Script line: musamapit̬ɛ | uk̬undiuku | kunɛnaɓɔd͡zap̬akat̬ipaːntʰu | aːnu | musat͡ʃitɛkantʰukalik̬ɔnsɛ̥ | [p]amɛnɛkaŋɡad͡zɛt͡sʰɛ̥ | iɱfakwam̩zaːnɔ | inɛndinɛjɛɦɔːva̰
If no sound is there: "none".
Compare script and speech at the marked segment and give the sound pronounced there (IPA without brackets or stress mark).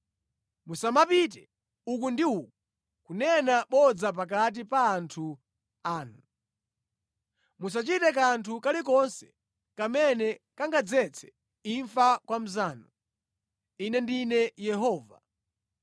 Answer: k